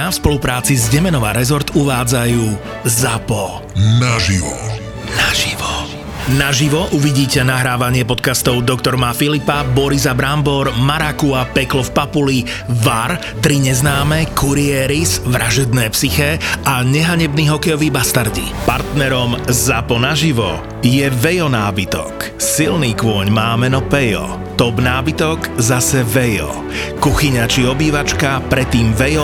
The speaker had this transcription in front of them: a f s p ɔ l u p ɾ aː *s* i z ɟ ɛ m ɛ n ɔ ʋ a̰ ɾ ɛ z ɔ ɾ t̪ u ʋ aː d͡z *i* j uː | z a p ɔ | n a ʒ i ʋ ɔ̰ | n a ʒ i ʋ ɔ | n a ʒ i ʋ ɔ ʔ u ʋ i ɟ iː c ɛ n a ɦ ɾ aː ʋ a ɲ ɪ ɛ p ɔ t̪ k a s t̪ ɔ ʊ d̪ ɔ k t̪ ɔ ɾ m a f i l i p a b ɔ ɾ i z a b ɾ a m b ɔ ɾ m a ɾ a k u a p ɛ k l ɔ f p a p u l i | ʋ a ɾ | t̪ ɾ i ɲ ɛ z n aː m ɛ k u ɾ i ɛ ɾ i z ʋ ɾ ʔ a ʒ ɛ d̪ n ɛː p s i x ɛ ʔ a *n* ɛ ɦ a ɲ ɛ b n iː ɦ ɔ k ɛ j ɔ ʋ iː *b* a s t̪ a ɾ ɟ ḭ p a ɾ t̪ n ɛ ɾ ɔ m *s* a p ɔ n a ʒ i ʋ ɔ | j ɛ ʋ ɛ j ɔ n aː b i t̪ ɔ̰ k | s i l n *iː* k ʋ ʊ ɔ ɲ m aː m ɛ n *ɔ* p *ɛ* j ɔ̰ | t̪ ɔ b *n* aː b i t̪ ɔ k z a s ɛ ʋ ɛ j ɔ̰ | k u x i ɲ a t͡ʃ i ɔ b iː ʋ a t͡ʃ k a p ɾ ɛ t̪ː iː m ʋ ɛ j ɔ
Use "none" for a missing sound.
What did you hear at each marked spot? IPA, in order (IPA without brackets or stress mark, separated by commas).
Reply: t͡s, a, ɲ, b, z, iː, ɔ, ɛ, n